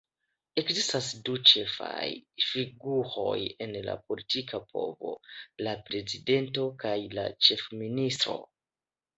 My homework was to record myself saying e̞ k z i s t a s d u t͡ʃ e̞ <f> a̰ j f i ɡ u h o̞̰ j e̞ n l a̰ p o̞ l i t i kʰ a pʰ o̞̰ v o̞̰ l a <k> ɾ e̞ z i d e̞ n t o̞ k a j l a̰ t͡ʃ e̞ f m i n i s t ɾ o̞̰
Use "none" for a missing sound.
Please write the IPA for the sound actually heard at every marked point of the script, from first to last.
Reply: f, p

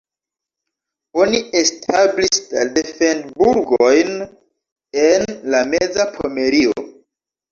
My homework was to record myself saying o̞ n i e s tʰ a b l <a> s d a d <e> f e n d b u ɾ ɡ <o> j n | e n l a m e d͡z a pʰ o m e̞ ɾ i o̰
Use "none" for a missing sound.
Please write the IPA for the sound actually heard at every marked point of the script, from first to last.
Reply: i, e, o

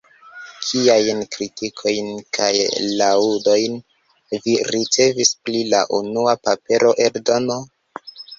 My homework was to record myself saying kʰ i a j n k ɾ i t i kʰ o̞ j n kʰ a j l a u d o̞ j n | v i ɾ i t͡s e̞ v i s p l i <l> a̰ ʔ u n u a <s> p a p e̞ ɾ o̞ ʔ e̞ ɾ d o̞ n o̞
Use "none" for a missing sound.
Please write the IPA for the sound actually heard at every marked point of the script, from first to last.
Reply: l, none

